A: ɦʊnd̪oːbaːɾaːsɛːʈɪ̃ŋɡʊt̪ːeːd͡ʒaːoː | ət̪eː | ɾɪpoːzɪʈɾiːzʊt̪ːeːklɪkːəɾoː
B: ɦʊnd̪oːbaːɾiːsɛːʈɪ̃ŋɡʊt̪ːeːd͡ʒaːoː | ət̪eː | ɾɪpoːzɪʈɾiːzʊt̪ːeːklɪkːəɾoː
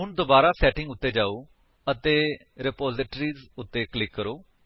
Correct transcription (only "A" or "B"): A